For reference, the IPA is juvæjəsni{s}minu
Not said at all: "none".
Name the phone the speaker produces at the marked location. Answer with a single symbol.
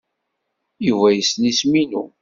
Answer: s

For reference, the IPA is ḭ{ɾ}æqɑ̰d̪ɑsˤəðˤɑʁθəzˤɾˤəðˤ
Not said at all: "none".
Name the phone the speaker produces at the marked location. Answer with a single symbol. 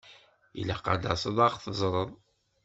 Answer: l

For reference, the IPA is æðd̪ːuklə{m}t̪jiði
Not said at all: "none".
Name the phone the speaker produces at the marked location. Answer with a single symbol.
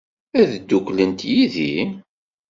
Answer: n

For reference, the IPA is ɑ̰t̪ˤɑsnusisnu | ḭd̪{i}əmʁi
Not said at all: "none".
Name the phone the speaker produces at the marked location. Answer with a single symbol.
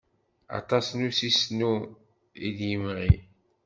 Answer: j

